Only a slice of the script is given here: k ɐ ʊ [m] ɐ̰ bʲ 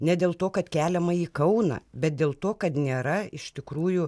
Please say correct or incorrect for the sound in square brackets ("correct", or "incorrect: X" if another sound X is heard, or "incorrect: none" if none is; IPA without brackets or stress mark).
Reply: incorrect: n